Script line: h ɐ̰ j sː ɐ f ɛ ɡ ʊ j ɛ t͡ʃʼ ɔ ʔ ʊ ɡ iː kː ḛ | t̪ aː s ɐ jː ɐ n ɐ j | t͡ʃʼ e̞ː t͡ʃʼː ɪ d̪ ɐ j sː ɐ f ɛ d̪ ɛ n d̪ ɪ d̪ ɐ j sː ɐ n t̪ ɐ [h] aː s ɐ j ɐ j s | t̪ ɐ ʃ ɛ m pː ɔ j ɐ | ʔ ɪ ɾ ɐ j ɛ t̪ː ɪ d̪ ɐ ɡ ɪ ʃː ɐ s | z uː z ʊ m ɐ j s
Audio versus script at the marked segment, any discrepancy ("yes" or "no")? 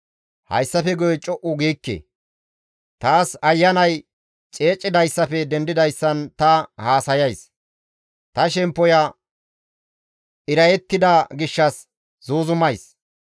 no